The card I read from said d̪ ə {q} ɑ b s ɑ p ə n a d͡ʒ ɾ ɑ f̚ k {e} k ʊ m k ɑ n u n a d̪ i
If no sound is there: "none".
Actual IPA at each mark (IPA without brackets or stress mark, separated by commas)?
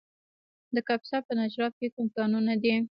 k, e